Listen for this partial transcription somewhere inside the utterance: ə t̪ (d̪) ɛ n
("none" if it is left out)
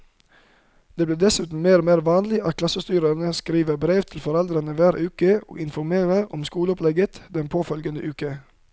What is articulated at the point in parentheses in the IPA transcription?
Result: d̪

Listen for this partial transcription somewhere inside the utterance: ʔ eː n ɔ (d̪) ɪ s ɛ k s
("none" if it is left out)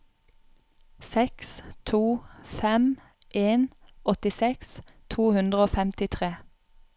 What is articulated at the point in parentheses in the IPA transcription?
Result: t̪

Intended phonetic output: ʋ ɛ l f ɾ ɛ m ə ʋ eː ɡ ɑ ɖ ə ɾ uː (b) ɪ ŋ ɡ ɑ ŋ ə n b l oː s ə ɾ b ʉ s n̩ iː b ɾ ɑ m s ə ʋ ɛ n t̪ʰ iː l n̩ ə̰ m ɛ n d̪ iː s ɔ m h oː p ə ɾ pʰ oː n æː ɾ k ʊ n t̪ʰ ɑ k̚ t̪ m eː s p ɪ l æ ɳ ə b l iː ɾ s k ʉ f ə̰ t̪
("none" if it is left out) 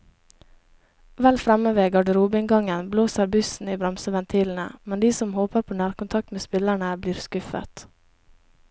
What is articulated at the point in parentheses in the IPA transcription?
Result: b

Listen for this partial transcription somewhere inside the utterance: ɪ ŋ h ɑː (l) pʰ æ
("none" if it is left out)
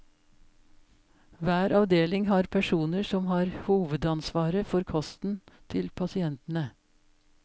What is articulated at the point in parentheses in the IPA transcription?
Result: ɾ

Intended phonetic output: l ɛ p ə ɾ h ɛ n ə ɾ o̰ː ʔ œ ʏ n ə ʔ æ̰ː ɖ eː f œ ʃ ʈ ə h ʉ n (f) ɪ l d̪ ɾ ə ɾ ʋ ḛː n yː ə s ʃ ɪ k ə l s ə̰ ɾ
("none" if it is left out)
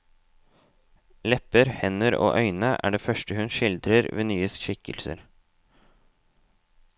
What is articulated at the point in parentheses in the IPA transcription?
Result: ʃ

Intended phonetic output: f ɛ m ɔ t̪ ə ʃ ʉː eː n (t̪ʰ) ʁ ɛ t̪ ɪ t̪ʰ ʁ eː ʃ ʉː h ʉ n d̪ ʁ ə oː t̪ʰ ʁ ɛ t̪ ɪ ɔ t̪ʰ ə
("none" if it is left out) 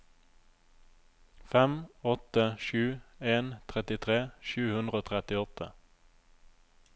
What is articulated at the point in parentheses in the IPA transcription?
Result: t̪ʰ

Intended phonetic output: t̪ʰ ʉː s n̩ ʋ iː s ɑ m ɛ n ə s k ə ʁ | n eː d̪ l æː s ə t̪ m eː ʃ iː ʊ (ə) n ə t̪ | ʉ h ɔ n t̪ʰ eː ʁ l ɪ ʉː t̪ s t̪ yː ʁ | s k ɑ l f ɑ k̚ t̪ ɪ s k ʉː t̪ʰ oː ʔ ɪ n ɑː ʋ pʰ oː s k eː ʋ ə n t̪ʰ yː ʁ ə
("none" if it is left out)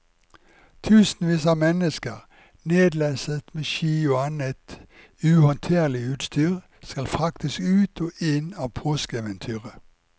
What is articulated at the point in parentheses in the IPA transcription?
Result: ɑ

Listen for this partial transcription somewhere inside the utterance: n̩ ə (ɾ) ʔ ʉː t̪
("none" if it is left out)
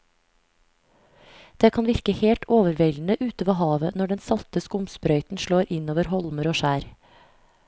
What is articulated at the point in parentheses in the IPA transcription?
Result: none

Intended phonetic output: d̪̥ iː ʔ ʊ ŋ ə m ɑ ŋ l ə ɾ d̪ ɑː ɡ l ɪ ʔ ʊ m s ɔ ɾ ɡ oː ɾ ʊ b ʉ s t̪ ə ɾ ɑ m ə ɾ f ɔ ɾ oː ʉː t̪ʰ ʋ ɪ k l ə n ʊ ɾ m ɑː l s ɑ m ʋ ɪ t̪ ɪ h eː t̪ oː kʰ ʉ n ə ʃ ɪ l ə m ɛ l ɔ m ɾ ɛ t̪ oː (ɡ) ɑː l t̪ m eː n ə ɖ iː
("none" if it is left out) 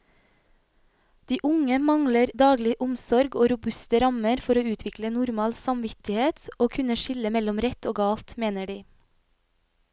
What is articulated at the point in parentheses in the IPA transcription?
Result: ɡ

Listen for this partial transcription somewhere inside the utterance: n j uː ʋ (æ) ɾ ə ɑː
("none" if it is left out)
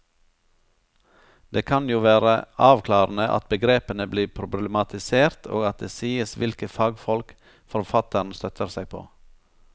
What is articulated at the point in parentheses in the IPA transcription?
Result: æː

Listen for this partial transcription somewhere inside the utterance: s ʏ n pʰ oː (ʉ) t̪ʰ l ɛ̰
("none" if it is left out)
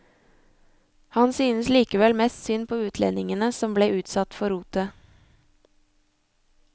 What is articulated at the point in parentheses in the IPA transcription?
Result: ʉː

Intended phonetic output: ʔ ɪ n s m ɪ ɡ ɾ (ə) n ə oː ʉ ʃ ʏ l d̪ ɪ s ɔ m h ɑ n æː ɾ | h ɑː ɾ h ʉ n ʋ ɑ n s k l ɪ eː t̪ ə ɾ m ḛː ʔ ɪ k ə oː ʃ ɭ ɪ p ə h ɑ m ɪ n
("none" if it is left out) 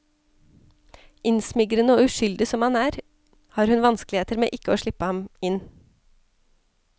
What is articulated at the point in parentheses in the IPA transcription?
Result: ə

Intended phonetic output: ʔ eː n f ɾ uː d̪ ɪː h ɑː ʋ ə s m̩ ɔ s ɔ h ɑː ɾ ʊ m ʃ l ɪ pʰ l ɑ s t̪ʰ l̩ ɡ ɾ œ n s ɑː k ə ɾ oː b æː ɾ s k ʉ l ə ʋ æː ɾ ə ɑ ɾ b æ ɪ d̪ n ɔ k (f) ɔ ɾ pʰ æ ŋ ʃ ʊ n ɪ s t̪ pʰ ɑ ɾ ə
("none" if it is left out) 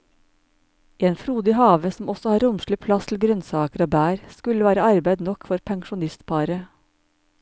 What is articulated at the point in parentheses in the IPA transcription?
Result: f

